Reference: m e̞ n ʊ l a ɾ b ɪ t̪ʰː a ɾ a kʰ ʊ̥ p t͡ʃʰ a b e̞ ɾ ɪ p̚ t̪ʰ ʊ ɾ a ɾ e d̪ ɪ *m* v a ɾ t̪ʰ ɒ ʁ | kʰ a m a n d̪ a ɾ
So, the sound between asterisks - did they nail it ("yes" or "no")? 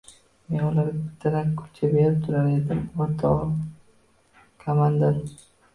yes